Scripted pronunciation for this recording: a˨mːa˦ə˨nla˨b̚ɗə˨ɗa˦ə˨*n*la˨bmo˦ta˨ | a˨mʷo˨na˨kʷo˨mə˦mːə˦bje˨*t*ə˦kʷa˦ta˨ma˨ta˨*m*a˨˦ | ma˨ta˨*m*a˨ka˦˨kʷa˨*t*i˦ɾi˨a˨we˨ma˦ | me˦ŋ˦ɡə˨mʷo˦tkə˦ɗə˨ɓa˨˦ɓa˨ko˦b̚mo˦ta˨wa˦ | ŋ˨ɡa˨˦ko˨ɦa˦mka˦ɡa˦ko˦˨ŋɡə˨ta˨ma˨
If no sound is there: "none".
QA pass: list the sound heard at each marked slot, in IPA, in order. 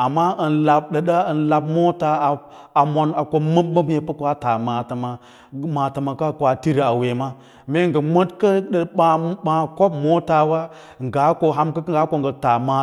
n, p, m, m, t

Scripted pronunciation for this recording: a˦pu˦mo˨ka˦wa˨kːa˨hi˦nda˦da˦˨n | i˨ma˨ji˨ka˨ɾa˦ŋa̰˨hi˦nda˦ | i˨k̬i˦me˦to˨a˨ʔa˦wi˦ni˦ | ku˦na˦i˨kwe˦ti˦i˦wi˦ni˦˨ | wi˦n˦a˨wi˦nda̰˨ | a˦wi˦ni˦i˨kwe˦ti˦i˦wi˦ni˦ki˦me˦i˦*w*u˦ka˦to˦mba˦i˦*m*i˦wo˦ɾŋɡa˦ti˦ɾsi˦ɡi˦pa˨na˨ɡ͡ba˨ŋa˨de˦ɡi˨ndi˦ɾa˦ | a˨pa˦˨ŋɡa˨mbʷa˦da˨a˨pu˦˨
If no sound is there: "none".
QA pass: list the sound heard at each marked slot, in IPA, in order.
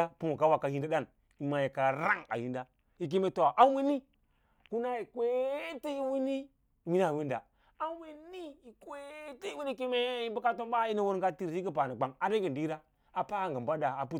b, n

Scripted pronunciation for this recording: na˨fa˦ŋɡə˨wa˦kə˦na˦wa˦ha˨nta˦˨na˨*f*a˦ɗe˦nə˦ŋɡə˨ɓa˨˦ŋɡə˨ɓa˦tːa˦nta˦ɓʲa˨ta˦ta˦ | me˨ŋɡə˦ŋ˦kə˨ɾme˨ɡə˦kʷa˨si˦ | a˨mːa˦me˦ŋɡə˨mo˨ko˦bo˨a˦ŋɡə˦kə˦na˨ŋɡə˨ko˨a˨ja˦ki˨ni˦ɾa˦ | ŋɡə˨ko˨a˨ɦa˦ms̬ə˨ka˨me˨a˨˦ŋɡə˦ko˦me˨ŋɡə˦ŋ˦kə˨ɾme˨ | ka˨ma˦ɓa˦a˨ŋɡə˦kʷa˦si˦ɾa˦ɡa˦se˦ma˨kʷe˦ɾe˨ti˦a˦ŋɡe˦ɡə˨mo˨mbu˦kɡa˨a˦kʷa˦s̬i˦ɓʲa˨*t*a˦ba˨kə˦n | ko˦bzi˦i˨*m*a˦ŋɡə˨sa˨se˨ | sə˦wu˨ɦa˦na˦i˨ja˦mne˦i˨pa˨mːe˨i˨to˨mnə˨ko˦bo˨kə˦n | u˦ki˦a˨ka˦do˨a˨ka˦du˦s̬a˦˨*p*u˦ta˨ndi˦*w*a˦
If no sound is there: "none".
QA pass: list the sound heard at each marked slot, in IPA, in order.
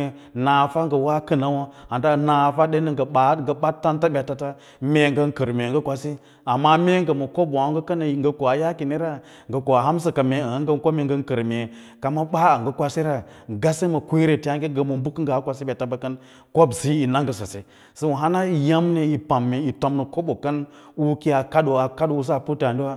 f, t, n, p, w

